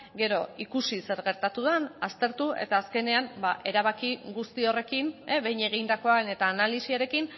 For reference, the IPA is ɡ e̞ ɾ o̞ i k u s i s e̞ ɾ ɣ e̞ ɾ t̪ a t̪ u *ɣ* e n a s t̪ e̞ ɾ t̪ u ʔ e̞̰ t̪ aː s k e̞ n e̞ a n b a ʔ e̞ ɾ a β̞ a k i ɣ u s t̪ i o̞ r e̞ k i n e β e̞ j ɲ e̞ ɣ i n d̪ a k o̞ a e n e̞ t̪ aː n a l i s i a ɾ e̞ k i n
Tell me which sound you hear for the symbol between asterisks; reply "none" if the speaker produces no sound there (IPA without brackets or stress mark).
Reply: ð